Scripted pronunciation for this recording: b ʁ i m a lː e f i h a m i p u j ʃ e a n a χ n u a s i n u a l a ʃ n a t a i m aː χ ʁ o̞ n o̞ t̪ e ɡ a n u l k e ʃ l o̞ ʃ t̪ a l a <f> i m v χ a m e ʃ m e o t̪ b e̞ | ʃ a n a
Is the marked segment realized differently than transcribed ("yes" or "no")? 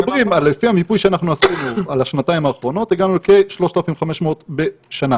no